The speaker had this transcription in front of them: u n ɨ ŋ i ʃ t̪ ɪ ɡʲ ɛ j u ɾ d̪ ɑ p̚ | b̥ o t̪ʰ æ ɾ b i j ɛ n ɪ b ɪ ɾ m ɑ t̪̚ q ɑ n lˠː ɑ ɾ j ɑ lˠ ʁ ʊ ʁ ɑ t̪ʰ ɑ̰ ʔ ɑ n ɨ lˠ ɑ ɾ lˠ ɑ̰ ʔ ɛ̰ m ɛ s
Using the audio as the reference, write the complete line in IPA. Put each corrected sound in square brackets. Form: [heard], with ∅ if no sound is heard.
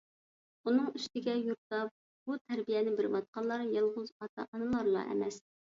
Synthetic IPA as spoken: u n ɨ ŋ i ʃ t̪ ɪ ɡʲ ɛ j u ɾ [t̪] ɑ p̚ | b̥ [u] t̪ʰ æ ɾ b i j ɛ n ɪ b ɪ ɾ m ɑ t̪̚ q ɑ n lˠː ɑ ɾ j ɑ lˠ ʁ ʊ [z] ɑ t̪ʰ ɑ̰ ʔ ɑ n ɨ lˠ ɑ ɾ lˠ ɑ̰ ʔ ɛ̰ m ɛ s